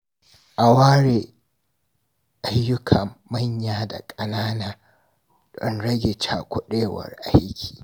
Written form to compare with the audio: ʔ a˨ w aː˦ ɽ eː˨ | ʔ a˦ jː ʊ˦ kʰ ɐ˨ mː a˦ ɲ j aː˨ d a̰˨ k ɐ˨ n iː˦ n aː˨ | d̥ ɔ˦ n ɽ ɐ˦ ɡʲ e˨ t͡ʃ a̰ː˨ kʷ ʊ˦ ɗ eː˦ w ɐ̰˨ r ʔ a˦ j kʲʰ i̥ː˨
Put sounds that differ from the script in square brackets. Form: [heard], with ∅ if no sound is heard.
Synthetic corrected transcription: ʔ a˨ w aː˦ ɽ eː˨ | ʔ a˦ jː ʊ˦ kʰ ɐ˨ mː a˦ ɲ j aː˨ d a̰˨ [kʼ] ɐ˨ n [aː˦] n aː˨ | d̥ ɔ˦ n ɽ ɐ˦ ɡʲ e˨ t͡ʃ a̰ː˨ kʷ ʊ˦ ɗ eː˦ w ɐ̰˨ r ʔ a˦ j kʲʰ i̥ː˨